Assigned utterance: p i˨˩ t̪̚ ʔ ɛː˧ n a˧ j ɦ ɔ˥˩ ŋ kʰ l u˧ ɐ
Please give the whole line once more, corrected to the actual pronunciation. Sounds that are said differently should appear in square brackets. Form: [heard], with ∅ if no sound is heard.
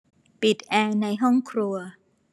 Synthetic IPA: p i˨˩ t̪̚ ʔ ɛː˧ n a˧ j ɦ ɔ˥˩ ŋ kʰ [ɾ] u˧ ɐ